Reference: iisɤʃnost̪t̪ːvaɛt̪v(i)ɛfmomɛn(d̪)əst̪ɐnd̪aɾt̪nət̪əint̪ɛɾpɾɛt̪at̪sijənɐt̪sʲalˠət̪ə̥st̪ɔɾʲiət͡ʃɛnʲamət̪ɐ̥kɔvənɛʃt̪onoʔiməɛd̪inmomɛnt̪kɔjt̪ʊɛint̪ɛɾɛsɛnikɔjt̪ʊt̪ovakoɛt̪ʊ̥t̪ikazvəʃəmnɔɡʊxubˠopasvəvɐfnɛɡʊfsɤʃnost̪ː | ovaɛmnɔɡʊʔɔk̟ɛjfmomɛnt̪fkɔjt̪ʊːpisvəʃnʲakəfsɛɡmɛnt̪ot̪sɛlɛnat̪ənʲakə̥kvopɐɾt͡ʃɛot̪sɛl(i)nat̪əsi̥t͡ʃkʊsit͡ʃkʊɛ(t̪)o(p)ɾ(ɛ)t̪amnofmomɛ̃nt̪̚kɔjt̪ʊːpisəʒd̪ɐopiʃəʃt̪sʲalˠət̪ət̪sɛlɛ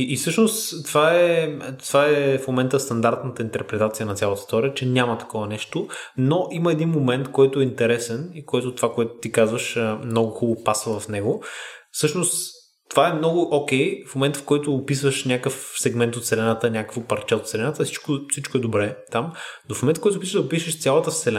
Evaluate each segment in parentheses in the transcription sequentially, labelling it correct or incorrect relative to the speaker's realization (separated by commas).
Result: incorrect, incorrect, incorrect, incorrect, incorrect, correct